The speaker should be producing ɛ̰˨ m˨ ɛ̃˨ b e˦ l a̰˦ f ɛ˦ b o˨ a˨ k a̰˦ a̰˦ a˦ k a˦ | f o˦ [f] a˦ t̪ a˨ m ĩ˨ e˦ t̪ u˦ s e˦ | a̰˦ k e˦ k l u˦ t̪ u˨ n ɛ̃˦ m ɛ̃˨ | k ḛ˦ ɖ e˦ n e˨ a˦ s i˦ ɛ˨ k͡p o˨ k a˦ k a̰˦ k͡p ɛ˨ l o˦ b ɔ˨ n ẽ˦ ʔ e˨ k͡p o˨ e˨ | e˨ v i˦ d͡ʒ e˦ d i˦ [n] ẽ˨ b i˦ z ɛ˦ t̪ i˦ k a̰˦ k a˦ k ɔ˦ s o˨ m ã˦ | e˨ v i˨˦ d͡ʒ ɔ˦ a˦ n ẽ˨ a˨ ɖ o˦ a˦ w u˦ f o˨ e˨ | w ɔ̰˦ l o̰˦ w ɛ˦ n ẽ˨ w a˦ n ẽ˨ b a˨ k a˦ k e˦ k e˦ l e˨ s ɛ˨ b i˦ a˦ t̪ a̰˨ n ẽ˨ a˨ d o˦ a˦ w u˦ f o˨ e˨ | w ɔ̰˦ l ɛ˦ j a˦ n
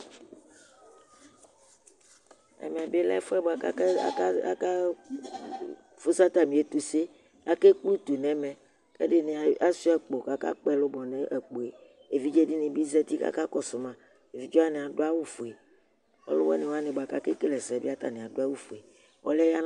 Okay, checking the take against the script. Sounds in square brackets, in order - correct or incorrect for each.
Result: incorrect: s, correct

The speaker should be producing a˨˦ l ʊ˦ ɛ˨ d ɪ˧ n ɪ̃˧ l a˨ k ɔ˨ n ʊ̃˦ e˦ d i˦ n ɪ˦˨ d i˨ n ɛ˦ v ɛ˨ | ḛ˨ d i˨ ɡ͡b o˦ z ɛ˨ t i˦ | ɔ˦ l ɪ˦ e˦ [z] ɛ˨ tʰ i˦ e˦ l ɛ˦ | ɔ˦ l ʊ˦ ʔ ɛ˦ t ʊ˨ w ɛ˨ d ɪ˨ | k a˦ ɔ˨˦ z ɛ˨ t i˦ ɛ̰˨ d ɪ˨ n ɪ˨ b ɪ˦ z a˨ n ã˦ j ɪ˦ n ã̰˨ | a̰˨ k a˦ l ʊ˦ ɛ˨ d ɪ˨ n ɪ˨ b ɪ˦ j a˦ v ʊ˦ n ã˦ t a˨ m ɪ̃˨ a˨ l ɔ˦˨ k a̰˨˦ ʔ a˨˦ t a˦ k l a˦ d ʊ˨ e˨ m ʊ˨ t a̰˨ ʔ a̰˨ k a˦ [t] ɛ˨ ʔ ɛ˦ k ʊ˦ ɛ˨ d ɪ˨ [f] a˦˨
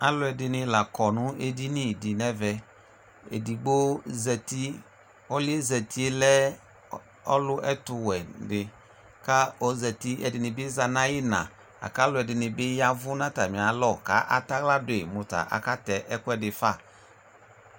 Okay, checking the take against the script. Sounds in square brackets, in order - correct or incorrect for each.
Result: correct, correct, correct

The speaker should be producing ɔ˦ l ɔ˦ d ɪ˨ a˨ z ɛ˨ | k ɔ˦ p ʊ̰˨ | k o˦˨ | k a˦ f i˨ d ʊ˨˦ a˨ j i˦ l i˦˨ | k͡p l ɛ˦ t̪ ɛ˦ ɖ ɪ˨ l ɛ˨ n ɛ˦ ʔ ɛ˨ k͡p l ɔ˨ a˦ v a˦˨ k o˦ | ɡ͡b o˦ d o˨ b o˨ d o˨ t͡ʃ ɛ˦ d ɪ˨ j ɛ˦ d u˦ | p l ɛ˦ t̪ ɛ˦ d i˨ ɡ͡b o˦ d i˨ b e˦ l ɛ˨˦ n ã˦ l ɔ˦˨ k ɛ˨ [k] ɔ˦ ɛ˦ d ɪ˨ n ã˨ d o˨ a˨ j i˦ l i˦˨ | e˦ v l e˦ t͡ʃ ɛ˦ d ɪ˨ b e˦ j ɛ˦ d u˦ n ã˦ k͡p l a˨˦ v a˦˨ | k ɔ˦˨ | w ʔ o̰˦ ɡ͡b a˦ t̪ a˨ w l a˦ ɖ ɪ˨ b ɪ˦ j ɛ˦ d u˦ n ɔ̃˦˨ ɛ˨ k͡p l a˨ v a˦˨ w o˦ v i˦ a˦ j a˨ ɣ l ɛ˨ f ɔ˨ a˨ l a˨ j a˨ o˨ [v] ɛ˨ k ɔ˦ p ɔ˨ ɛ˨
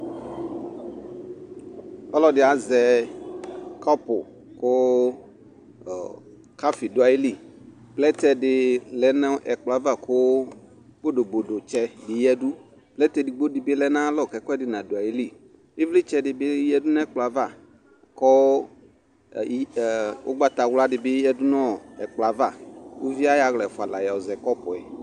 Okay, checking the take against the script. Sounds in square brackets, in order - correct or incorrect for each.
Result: correct, incorrect: z

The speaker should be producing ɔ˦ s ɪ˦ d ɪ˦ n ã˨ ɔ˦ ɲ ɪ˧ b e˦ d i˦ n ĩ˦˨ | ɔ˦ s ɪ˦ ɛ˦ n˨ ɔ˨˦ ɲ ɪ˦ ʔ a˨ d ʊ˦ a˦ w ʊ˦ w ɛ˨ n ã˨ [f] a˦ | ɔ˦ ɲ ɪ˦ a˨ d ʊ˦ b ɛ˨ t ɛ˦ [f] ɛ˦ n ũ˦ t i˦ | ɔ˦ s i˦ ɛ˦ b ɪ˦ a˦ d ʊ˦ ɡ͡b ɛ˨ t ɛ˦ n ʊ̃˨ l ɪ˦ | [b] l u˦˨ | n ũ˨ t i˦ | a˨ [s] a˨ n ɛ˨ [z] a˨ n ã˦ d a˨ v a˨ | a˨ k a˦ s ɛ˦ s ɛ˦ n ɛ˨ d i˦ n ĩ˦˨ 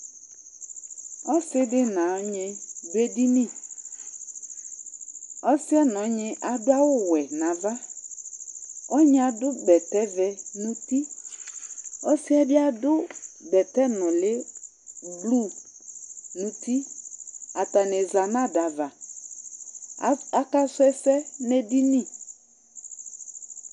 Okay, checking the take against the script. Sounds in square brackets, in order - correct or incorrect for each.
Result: incorrect: v, incorrect: v, correct, incorrect: t, correct

